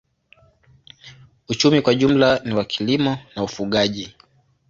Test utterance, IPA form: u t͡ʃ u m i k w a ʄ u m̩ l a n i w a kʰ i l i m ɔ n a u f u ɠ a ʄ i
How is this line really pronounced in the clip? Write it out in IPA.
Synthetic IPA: u t͡ʃ u m i k w a ʄ u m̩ l a n i w a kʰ i l i m ɔ n a u f u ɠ a ʄ i